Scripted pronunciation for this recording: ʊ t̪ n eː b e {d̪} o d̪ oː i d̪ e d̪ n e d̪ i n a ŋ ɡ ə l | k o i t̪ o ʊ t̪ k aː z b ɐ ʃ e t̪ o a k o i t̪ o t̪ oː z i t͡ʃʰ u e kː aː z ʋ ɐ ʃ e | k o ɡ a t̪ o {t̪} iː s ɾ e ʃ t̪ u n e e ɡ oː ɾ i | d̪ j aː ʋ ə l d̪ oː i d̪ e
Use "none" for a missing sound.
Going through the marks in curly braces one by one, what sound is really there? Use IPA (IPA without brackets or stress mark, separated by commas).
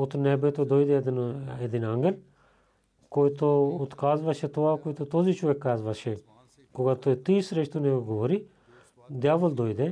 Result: t̪, t̪